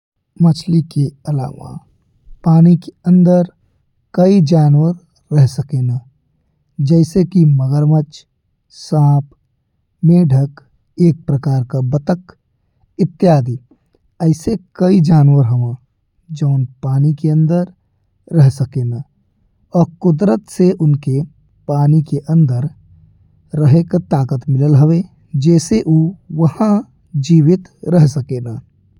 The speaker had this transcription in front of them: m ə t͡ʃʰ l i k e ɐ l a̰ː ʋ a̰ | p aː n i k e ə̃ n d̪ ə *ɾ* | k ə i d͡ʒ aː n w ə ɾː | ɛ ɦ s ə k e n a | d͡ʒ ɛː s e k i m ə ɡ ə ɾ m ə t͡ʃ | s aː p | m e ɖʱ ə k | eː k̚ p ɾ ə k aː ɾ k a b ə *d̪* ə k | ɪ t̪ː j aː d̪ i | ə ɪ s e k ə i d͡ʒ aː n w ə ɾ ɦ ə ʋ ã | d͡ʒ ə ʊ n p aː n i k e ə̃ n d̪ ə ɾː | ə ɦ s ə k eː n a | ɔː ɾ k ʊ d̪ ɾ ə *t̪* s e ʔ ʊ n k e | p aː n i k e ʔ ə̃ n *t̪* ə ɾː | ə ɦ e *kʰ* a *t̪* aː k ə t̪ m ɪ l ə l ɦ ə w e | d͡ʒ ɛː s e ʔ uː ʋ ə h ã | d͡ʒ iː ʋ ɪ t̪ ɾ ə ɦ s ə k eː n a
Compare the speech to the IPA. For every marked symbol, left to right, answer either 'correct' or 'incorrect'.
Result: correct, incorrect, correct, incorrect, incorrect, correct

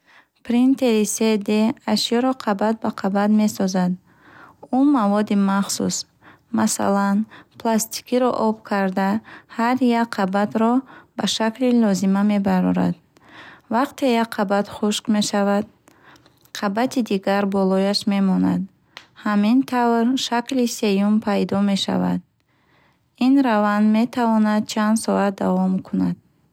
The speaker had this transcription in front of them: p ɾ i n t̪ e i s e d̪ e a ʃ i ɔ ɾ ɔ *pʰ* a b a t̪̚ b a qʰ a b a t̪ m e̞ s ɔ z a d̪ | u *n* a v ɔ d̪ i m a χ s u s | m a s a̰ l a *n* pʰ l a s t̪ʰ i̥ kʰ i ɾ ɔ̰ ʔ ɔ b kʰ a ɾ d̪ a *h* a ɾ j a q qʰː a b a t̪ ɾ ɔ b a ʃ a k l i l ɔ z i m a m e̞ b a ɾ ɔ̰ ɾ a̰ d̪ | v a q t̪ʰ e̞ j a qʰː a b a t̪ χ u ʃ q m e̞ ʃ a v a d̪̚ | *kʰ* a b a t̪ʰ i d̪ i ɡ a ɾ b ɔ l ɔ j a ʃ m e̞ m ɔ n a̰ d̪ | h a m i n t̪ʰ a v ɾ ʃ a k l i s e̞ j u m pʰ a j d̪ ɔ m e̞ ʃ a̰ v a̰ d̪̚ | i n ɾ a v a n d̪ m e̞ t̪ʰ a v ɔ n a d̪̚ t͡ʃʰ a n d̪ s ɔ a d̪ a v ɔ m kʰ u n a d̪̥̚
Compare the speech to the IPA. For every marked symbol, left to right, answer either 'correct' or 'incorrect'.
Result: incorrect, incorrect, correct, correct, incorrect

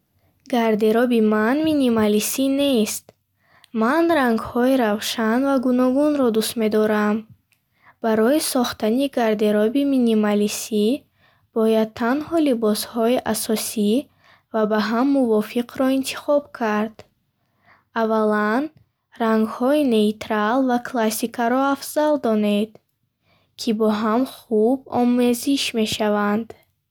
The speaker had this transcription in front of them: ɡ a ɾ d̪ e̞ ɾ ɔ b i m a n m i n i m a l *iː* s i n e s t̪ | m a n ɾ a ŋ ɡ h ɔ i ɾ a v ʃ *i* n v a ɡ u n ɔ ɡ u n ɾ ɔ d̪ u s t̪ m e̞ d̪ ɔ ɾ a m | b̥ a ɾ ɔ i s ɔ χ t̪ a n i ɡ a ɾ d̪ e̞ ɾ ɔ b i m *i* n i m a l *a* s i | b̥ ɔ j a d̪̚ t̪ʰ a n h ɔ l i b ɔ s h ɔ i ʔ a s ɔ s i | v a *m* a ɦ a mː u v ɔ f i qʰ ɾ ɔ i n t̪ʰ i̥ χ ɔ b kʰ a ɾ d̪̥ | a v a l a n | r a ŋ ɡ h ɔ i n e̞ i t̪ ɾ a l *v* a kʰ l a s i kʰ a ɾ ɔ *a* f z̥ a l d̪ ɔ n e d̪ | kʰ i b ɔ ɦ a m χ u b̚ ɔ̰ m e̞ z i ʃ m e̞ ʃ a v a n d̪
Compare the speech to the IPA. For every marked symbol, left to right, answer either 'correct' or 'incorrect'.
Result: incorrect, incorrect, correct, incorrect, incorrect, correct, correct

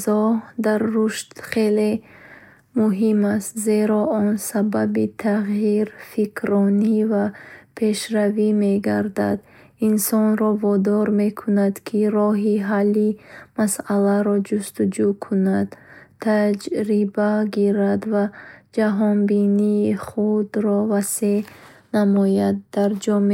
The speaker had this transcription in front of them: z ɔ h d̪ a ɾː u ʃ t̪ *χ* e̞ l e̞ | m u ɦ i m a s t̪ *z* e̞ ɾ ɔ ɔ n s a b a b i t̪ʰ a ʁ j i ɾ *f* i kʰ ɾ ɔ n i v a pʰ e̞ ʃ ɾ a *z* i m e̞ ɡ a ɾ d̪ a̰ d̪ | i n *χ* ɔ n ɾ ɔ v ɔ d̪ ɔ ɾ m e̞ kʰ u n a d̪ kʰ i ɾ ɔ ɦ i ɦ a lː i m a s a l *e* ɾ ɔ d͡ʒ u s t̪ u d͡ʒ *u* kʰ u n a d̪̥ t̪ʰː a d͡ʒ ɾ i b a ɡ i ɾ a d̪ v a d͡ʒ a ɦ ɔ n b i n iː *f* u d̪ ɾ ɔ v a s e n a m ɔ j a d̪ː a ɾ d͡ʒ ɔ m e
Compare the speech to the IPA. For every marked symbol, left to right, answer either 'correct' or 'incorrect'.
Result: correct, correct, correct, incorrect, incorrect, incorrect, correct, incorrect

